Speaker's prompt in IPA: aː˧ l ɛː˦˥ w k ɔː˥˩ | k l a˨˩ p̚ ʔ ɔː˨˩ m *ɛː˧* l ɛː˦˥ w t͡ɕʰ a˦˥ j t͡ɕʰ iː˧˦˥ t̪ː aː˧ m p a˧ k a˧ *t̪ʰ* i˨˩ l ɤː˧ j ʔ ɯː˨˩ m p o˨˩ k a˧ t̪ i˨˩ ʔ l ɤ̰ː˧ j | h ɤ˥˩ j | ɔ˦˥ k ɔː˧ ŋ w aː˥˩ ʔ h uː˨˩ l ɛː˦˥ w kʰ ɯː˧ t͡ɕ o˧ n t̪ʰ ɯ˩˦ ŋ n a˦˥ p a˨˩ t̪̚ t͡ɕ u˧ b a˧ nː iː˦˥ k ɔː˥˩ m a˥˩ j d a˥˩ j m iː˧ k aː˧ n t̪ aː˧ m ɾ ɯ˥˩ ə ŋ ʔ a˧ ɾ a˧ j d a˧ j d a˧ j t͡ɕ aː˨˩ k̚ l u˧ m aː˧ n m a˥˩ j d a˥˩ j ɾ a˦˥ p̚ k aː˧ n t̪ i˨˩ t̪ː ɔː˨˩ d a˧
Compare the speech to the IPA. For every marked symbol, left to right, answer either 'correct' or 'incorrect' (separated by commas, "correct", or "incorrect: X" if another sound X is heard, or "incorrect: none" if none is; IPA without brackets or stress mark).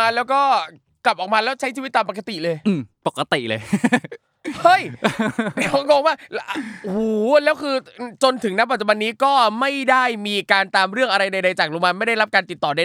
incorrect: aː˧, incorrect: t̪